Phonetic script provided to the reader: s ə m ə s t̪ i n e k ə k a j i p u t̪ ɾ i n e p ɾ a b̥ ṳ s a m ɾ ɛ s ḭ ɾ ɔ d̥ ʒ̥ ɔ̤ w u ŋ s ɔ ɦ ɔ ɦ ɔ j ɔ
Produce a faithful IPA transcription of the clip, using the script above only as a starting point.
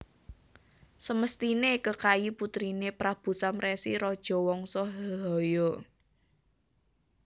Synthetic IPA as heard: s ə m ə s t̪ i n e k ə k a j i p u t̪ ɾ i n e p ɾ a b̥ ṳ s a m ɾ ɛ s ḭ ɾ ɔ d̥ ʒ̥ ɔ̤ w ɔ ŋ s ɔ ɦ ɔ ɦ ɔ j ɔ